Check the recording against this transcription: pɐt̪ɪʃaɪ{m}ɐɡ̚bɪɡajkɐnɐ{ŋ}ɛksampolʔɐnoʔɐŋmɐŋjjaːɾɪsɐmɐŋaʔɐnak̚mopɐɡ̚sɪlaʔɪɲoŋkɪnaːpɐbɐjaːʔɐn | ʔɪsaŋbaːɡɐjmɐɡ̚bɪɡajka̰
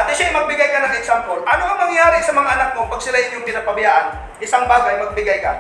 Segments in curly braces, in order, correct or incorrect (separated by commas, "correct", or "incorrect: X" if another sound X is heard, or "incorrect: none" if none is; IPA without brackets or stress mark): correct, correct